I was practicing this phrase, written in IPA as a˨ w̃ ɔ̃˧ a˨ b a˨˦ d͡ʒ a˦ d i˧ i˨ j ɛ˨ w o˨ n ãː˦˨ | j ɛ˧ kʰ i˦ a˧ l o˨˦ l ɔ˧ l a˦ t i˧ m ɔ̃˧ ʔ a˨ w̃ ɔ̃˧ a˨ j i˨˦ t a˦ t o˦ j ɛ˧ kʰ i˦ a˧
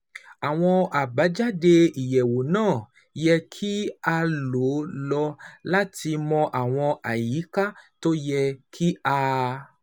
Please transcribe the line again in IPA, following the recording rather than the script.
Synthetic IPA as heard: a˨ w̃ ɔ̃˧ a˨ b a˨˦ d͡ʒ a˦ d e˧ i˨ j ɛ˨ w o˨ n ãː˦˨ | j ɛ˧ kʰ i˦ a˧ l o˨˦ l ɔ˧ l a˦ t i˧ m ɔ̃˧ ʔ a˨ w̃ ɔ̃˧ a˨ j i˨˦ k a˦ t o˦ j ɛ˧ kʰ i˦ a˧